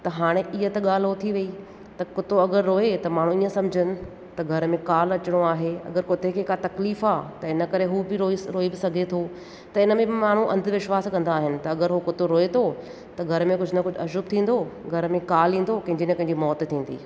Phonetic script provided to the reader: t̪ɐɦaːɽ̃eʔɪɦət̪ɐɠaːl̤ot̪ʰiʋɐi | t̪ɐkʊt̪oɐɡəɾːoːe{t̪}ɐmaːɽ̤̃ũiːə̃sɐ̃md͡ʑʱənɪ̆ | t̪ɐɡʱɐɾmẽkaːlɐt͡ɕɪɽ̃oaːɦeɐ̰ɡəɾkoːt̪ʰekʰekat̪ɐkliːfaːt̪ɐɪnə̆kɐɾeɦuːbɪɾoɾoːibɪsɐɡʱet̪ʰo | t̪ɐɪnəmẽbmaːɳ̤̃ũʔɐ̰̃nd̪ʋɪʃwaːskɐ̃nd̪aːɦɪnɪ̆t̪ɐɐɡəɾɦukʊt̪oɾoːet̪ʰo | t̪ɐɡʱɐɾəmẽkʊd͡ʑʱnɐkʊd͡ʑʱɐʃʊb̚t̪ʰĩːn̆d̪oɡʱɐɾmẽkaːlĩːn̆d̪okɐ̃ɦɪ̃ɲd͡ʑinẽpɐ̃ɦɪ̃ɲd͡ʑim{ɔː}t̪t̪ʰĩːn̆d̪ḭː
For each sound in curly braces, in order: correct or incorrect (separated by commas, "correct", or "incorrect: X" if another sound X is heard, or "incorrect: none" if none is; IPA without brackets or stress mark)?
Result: correct, correct